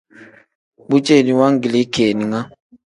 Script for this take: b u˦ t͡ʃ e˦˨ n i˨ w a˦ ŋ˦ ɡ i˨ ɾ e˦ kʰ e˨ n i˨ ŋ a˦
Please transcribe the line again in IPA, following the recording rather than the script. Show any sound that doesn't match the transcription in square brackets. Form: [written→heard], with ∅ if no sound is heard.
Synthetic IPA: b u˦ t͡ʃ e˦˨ n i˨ w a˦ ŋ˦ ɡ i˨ [ɾ→l] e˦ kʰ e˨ n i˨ ŋ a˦